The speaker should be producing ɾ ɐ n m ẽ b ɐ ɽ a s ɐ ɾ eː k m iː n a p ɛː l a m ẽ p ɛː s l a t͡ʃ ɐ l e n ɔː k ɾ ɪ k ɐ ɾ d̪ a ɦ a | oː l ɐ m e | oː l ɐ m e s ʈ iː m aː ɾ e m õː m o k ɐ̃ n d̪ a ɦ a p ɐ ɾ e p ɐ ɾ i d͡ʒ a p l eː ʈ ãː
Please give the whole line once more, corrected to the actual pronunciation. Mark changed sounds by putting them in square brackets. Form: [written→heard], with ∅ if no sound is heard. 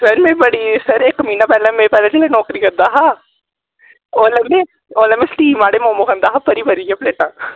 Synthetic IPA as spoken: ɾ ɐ n m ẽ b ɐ ɽ [a→i] s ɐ ɾ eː k m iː n a p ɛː l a m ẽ p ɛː [s→∅] l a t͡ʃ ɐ l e n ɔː k ɾ [ɪ→i] k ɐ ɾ d̪ a ɦ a | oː l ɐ m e | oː l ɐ m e s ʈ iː m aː [ɾ→ɽ] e m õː m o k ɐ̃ n d̪ a ɦ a p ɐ ɾ [e→i] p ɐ ɾ i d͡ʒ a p l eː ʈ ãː